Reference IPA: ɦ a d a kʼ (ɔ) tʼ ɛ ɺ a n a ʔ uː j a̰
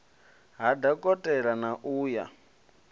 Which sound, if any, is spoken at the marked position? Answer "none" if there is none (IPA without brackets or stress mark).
ɔ